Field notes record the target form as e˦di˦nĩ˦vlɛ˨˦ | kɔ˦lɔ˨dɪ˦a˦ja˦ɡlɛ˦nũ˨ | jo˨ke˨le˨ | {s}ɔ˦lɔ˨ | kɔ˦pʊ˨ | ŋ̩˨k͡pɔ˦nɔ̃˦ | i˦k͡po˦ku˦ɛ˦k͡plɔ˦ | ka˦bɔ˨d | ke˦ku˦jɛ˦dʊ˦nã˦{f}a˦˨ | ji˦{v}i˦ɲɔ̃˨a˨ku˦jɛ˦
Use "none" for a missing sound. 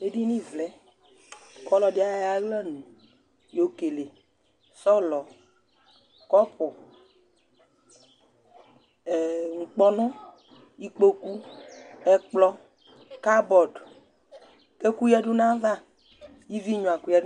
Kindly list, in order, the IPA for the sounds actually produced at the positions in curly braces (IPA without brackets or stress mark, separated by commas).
s, v, v